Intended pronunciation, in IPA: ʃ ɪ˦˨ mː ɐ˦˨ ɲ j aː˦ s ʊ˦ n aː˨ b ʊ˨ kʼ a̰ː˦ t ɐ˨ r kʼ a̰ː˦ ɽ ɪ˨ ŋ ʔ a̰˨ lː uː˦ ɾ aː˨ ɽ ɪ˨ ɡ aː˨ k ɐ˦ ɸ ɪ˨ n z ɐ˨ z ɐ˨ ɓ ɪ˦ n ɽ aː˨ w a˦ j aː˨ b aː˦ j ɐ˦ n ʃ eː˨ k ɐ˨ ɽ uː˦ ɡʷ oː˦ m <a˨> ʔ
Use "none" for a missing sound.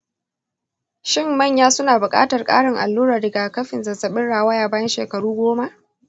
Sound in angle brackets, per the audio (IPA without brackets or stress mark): a˦